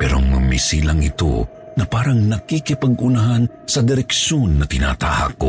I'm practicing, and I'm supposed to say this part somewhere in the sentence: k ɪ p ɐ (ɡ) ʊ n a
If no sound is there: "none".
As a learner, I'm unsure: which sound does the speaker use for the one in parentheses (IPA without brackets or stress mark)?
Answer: ɡ